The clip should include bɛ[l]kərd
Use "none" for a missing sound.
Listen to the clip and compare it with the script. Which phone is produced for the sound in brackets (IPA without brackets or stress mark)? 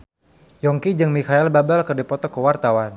l